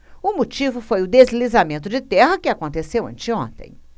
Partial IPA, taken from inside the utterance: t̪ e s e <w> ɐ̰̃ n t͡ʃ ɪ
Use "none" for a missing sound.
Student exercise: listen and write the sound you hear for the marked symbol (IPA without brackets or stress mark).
w